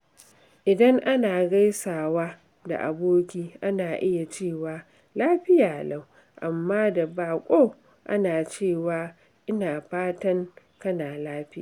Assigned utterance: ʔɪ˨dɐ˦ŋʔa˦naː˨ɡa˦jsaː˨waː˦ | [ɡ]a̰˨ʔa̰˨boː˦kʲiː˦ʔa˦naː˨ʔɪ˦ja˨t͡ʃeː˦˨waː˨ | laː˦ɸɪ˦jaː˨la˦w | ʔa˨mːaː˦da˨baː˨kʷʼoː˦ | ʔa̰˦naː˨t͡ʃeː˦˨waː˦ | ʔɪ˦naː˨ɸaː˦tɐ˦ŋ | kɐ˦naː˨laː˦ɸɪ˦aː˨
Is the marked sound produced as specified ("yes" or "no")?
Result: no